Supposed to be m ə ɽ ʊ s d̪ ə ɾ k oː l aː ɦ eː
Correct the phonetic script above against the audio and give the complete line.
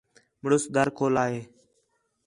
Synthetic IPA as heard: m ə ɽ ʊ s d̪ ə ɾ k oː l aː ɦ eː